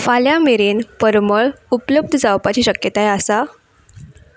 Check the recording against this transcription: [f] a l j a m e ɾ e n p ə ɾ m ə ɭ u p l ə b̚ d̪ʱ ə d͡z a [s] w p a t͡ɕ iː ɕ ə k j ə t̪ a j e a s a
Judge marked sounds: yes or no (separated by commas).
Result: yes, no